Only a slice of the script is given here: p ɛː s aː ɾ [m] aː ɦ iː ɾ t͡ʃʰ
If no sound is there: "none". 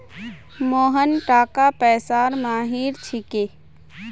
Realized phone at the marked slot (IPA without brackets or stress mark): m